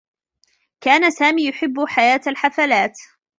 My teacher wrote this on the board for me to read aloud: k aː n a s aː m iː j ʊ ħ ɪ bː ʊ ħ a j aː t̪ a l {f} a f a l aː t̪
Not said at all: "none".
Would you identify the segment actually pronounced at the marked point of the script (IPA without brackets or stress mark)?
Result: ħ